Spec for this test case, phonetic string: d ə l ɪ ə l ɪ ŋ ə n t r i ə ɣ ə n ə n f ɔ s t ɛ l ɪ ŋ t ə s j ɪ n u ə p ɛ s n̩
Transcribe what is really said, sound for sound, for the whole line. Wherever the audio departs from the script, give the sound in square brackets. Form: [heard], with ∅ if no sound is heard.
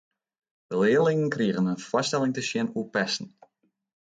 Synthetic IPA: d ə l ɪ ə l ɪ ŋ ə n [k] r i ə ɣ ə n ə n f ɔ s t ɛ l ɪ ŋ t ə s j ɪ n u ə p ɛ s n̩